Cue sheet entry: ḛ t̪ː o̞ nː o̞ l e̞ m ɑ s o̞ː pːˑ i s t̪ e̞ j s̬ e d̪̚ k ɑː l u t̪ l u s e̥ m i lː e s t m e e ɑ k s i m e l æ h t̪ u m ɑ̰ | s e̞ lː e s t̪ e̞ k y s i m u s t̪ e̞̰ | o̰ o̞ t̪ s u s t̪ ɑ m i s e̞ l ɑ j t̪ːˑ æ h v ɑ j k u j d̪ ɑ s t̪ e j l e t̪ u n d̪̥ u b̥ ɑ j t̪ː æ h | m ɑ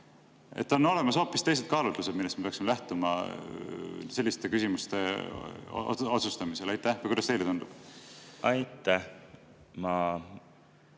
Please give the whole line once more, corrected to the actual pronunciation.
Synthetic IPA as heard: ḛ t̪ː o̞ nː o̞ l e̞ m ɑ s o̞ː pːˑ i s t̪ e̞ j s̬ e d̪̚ k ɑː l u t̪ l u s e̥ m i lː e s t m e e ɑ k s i m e l æ h t̪ u m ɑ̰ | s e̞ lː i s t̪ e̞ k y s i m u s t̪ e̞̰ | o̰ o̞ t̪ s u s t̪ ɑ m i s e̞ l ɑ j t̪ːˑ æ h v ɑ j k u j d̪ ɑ s t̪ e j l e t̪ u n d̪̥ u b̥ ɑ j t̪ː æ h | m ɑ